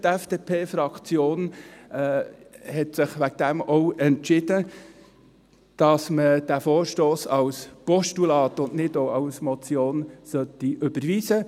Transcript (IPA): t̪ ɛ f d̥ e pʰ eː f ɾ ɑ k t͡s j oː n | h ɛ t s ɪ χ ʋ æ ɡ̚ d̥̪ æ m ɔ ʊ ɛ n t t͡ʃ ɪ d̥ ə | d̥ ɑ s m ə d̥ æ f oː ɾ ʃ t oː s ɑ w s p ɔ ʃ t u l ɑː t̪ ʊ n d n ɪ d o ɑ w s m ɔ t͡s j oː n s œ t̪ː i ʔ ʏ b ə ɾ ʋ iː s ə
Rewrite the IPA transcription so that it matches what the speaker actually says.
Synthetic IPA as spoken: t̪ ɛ f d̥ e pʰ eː f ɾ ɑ k t͡s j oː n | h ɛ t s ɪ χ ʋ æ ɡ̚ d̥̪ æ m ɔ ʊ ɛ n t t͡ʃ ɪ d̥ ə | d̥ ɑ s m ə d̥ æ f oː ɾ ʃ t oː s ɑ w s p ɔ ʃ t u l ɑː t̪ ʊ n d n ɪ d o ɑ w s m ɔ t͡s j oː n s œ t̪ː i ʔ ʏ b ə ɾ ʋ iː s ə

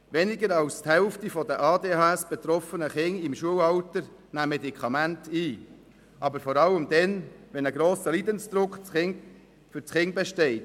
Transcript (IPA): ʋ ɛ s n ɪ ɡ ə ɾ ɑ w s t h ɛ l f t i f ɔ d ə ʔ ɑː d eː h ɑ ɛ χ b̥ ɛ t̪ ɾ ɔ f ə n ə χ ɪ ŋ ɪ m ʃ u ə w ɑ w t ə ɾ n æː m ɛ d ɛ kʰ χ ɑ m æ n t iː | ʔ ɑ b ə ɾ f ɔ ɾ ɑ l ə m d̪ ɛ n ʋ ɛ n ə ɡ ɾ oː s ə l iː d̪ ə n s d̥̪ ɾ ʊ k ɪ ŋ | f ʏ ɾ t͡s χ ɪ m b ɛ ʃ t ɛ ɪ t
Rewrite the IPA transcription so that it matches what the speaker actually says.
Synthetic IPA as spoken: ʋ ɛ n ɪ ɡ ə ɾ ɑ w s t h ɛ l f t i f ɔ d ə ʔ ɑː d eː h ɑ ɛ s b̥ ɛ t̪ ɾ ɔ f ə n ə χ ɪ ŋ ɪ m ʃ u ə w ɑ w t ə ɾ n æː m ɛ d i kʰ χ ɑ m æ n t iː | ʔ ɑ b ə ɾ f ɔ ɾ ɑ l ə m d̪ ɛ n ʋ ɛ n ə ɡ ɾ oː s ə l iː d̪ ə n s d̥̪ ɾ ʊ k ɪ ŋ | f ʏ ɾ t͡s χ ɪ ŋ b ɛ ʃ t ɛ ɪ t

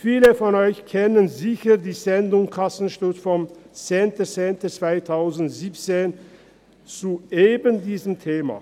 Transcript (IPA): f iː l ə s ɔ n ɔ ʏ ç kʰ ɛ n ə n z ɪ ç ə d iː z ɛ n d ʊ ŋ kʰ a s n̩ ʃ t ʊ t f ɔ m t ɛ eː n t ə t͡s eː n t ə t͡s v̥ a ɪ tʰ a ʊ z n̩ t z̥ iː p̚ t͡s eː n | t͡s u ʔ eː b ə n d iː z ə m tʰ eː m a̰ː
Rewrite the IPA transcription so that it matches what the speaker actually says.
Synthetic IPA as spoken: f iː l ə f ɔ n ɔ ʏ ç kʰ ɛ n ə n z ɪ ç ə d iː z ɛ n d ʊ ŋ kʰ a s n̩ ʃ t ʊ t f ɔ m t͡s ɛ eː n t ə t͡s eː n t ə t͡s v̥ a ɪ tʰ a ʊ z n̩ t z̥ iː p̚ t͡s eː n | t͡s u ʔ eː b ə n d iː z ə m tʰ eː m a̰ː

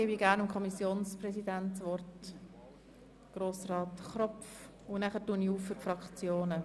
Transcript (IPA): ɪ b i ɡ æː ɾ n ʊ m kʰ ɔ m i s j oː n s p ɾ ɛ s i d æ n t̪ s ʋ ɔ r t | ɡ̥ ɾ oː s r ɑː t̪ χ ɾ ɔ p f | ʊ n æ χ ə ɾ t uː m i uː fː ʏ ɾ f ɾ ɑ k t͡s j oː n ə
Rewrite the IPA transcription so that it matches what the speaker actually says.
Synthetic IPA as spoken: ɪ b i ɡ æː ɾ n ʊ m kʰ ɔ m i s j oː n s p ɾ ɛ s i d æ n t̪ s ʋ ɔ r t | ɡ̥ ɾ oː s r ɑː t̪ χ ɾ ɔ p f | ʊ n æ χ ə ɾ t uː n i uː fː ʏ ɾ f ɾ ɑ k t͡s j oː n ə

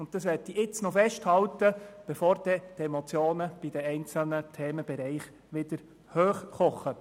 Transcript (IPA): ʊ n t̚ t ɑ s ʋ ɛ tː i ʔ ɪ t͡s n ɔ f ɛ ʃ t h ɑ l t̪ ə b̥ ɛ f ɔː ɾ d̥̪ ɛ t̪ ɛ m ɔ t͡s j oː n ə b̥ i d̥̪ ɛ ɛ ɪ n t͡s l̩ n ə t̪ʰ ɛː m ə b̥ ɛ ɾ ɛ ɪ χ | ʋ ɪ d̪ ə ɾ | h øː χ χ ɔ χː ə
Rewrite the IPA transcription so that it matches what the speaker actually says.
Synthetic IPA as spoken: ʊ n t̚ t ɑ s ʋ ɛ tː i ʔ ɪ t͡s n ɔ f ɛ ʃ t h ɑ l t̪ ə b̥ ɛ f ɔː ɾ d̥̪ ɛ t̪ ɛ m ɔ t͡s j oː n ə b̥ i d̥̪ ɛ ɛ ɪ n t͡s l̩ n ə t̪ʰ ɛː m ə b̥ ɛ ɾ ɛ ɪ χ | ʋ ɪ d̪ ə ɾ | h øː χ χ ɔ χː ə

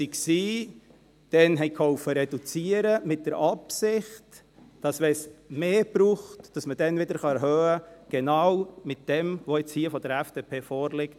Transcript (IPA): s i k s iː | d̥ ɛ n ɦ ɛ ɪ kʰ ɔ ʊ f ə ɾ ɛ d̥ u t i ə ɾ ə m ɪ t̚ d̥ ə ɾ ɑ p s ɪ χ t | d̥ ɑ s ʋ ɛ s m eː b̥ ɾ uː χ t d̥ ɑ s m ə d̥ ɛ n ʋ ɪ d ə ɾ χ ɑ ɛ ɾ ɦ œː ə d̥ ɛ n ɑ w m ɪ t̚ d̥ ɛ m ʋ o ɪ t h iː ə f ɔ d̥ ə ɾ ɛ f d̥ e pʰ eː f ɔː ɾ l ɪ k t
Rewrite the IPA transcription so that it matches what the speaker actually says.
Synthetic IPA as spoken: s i k s iː | d̥ ɛ n ɦ ɛ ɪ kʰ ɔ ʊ f ə ɾ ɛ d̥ u t͡s i ə ɾ ə m ɪ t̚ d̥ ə ɾ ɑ p s ɪ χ t | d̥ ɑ s ʋ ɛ s m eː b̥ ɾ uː χ t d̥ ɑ s m ə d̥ ɛ n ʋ ɪ d ə ɾ χ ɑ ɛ ɾ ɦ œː ə ɡ̥ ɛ n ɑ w m ɪ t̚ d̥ ɛ m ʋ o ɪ t͡s h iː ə f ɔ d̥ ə ɾ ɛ f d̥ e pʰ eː f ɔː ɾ l ɪ k t

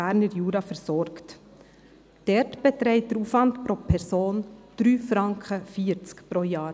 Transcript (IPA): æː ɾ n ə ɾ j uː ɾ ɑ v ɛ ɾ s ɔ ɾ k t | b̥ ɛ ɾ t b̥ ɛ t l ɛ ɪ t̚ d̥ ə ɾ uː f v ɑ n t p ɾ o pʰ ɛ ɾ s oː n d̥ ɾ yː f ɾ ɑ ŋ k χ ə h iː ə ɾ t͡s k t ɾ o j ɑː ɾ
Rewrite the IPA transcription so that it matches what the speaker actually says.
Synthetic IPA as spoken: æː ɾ n ə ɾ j uː ɾ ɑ f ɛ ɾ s ɔ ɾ k t | d̥ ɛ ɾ t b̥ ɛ t ɾ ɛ ɪ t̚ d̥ ə ɾ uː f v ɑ n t p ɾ o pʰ ɛ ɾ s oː n d̥ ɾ yː f ɾ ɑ ŋ k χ ə f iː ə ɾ t͡s k p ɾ o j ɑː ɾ

